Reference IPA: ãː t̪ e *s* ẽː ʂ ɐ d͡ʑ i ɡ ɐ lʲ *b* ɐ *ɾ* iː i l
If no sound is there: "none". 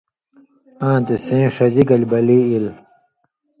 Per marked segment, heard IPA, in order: s, b, l

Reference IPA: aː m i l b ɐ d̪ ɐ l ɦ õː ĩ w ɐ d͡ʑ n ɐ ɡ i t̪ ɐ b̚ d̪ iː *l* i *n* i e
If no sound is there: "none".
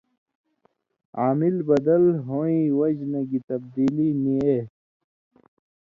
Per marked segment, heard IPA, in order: l, n

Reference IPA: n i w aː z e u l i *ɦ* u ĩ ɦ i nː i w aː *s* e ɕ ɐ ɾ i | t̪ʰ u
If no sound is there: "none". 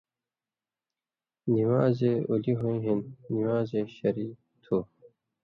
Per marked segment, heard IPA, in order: ɦ, z

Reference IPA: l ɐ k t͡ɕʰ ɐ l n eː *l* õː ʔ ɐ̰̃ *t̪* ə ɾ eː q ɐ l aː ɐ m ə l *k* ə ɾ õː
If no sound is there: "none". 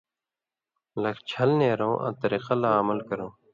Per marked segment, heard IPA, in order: ɾ, t̪, k

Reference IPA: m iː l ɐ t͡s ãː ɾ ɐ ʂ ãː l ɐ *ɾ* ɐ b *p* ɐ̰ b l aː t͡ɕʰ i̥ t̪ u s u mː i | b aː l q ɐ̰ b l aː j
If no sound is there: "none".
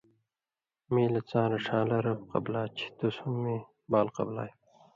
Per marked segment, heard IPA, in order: ɾ, q

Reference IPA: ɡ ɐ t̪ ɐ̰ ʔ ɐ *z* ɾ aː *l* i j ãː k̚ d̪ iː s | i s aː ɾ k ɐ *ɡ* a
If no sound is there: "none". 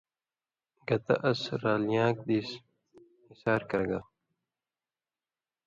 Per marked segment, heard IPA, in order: s, l, ɡ

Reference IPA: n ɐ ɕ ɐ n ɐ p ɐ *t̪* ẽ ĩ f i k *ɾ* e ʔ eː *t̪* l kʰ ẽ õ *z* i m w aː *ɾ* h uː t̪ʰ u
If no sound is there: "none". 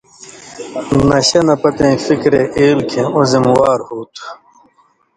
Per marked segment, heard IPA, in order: t̪, ɾ, none, z, ɾ

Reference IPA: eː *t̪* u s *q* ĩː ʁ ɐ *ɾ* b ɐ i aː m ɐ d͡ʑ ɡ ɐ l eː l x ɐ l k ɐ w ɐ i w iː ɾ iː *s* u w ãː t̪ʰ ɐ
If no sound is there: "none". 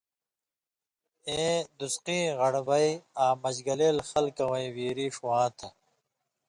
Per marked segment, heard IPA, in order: d̪, q, ɽ, ʂ

